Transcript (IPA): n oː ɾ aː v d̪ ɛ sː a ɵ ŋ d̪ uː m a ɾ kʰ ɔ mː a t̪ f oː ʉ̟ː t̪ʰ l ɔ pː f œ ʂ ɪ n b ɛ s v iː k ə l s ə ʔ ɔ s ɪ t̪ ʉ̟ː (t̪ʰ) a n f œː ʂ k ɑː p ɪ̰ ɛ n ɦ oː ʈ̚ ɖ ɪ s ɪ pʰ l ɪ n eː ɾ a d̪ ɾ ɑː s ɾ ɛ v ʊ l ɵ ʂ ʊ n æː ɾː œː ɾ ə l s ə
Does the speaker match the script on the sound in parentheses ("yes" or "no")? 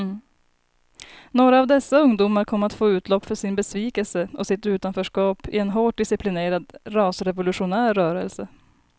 no